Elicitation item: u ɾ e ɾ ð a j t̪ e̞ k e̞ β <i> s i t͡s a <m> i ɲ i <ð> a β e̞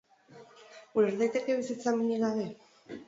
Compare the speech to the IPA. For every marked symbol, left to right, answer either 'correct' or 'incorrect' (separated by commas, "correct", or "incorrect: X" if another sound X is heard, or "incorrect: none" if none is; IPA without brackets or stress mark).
correct, correct, incorrect: ɣ